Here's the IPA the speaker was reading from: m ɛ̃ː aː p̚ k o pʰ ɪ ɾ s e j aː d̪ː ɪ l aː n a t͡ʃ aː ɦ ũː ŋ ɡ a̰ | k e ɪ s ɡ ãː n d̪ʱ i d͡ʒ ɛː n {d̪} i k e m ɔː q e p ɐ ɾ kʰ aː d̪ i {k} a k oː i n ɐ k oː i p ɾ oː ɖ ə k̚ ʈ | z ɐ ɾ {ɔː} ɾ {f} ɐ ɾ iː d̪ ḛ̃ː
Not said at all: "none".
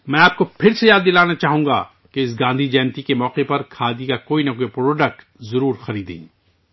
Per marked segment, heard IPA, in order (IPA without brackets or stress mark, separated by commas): t̪, k, uː, x